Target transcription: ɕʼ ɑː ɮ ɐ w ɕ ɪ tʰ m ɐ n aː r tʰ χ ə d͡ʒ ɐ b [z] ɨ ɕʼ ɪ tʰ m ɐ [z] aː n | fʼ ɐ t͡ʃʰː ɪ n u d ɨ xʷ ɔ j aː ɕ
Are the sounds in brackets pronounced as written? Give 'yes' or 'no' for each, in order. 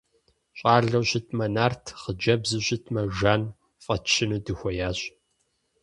yes, no

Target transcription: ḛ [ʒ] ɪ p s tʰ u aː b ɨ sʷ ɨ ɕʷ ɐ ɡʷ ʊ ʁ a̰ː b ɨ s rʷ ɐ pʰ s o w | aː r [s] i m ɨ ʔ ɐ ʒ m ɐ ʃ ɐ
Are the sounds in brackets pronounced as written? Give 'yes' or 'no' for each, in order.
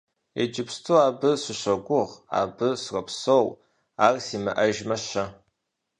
no, yes

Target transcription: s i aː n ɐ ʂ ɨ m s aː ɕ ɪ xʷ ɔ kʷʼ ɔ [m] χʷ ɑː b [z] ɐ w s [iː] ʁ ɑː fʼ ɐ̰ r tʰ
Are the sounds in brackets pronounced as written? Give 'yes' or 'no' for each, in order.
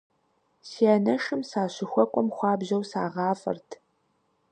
yes, no, no

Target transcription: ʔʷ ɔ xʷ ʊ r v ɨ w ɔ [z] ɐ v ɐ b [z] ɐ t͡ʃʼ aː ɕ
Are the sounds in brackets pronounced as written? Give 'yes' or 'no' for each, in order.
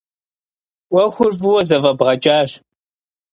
yes, no

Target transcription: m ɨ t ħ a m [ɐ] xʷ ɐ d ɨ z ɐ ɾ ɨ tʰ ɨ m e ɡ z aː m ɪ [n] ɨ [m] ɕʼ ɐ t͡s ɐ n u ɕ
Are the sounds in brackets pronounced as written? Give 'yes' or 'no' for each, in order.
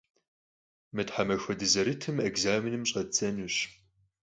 yes, yes, yes

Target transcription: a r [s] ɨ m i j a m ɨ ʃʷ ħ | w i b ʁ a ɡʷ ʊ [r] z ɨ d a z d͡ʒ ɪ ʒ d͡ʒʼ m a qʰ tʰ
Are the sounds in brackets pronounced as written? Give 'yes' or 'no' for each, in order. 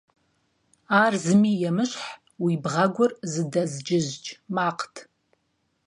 no, yes

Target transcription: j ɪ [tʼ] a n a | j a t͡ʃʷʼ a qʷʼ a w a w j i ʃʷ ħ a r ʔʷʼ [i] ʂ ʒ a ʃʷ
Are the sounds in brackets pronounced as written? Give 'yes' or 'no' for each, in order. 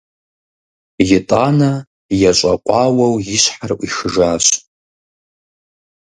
yes, yes

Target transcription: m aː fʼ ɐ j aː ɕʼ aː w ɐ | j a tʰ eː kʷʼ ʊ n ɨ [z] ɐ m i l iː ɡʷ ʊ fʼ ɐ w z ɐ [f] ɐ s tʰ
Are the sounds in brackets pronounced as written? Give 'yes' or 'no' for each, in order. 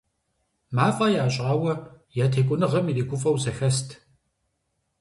no, no

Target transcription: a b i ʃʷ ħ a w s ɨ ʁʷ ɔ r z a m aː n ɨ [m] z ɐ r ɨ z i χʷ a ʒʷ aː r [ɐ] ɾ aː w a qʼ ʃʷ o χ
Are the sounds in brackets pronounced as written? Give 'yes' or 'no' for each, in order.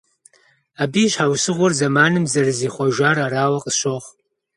yes, no

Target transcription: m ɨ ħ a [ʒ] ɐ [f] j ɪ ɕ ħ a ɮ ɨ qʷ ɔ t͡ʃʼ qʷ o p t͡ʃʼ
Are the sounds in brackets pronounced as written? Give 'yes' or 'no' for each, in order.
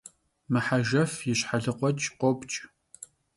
yes, yes

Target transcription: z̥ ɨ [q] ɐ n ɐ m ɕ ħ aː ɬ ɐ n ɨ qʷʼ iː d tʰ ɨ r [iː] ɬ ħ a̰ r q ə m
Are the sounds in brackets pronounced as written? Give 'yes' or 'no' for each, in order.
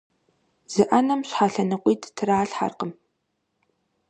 no, no

